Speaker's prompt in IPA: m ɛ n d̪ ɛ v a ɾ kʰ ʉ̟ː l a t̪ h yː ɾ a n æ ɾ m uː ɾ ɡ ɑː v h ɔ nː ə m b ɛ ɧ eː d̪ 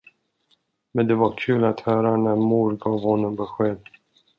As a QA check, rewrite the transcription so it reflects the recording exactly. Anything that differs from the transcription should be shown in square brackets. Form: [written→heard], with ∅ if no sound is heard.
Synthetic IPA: m ɛ n d̪ ɛ v a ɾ kʰ ʉ̟ː l a t̪ h [yː→œː] ɾ a n æ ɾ m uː ɾ ɡ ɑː v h ɔ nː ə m b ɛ ɧ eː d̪